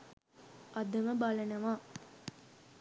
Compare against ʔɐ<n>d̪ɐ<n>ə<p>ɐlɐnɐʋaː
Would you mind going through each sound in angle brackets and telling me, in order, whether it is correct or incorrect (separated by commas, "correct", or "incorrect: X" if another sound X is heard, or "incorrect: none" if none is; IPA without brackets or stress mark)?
incorrect: none, incorrect: m, incorrect: b